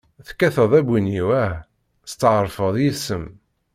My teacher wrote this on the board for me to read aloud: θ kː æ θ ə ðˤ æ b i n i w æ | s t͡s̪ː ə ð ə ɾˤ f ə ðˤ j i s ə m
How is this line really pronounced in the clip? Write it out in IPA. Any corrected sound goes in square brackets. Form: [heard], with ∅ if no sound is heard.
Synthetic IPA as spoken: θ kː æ θ ə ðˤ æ b i n i w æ | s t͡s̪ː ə [ʕ] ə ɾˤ f ə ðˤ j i s ə m